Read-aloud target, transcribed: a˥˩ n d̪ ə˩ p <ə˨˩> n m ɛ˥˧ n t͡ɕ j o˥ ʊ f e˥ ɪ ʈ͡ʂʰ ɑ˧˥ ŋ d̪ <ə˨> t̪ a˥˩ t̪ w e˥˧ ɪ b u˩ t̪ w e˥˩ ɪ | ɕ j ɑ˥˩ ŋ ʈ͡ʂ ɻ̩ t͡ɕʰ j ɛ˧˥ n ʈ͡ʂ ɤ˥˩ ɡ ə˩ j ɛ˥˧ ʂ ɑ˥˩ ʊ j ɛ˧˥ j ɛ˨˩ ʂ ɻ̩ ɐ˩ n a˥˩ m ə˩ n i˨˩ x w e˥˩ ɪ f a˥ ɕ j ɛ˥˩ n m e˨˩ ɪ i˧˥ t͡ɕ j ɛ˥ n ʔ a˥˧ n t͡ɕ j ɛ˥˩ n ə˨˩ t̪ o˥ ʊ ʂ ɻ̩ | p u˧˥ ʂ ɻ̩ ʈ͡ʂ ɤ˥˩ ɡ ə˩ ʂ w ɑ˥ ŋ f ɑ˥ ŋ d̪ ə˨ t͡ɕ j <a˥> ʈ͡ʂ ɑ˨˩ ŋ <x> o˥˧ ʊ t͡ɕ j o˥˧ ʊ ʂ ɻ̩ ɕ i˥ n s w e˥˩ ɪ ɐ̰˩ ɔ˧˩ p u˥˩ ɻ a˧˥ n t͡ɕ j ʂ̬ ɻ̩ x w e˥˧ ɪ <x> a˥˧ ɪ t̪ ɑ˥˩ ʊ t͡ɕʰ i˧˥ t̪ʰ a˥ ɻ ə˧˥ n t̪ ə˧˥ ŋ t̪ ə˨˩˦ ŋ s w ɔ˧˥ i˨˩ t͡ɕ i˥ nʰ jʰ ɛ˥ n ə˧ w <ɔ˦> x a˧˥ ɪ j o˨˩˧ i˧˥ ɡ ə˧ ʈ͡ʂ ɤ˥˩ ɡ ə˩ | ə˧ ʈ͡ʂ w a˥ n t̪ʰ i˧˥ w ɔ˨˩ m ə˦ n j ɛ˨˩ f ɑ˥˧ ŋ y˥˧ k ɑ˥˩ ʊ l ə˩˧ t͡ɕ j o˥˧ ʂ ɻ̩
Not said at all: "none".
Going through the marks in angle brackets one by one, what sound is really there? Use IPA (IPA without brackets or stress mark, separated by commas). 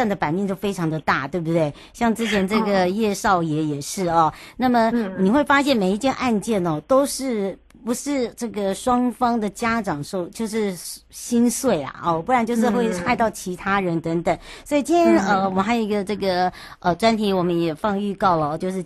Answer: a˨˩, ə˨, a˥, ʂ, x, ɔ˨˩